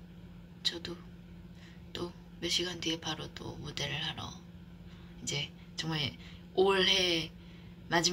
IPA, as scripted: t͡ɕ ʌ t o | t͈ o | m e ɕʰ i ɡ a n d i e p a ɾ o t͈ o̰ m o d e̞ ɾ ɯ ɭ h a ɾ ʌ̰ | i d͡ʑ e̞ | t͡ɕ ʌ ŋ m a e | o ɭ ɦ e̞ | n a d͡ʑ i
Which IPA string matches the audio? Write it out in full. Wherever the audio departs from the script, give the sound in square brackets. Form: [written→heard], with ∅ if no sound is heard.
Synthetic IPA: t͡ɕ ʌ [t→d] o | t͈ o | m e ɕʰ i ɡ a n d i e p a ɾ o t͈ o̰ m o d e̞ ɾ ɯ ɭ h a ɾ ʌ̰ | i d͡ʑ e̞ | t͡ɕ ʌ ŋ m a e | o ɭ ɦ e̞ | [n→m] a d͡ʑ i